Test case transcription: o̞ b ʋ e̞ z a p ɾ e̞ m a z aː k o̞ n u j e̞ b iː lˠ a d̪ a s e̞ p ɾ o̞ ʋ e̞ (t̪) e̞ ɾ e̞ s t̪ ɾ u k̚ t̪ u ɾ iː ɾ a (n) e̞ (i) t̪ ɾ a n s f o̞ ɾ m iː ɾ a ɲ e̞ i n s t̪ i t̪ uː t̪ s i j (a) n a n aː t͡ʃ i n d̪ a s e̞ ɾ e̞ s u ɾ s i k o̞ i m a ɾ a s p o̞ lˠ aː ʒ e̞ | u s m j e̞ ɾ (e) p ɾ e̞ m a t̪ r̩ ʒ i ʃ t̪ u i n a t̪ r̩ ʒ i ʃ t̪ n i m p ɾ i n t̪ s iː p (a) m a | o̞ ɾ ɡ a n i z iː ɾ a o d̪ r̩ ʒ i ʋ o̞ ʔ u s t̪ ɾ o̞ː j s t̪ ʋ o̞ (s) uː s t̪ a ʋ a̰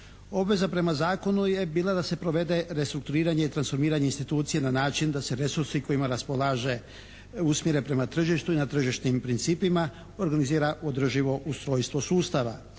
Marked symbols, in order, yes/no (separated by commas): no, no, yes, no, yes, no, yes